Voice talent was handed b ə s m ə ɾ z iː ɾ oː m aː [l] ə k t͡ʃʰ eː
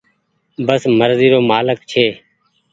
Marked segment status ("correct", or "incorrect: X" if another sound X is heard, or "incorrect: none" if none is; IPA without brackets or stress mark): correct